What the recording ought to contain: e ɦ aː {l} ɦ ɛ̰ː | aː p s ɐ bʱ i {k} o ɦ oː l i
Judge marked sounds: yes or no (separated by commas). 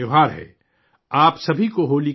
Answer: no, yes